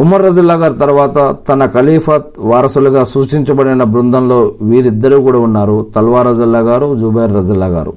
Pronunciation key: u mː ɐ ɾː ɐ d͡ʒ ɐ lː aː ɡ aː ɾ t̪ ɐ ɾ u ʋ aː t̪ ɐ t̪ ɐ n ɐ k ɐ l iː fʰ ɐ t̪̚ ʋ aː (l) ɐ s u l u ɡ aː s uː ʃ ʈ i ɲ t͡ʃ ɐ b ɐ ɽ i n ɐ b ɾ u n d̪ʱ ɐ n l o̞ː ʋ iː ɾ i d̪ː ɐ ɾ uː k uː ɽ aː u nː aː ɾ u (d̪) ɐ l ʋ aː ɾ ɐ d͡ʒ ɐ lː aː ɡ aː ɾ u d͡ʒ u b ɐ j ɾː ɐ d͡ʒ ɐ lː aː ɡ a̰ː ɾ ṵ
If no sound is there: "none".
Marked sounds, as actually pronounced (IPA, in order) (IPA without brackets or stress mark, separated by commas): ɾ, t̪